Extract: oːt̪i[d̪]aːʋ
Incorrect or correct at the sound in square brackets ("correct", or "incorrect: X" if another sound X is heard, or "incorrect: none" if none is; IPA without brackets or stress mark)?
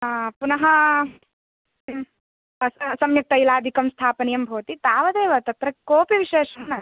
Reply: incorrect: t̪